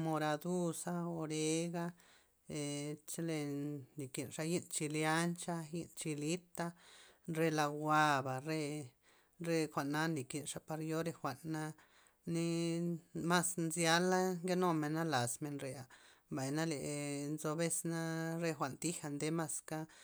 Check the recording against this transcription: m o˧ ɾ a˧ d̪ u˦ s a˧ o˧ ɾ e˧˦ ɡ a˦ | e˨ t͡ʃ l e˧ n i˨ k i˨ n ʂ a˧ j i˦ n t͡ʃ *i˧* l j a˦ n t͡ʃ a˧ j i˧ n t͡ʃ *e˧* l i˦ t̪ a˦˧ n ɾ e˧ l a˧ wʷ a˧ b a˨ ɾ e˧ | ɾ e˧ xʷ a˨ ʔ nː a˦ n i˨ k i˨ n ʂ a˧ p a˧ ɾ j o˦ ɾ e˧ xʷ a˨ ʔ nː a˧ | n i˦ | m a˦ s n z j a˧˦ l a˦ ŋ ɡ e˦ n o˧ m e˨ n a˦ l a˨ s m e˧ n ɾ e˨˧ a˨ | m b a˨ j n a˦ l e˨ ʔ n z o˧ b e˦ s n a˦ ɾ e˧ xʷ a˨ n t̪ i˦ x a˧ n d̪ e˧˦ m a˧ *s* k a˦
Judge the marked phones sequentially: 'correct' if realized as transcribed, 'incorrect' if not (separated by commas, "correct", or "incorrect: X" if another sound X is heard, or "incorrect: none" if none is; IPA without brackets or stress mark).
correct, incorrect: i˧, correct